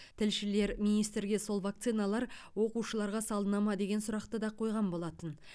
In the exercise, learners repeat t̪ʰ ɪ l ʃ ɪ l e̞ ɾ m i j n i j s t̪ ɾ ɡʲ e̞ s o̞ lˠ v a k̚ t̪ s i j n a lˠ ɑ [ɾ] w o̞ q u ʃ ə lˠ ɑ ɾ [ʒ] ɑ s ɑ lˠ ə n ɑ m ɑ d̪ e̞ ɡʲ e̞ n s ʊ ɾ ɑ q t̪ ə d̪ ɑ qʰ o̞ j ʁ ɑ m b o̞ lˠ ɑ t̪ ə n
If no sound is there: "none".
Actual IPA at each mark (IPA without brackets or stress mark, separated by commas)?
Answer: ɾ, ʁ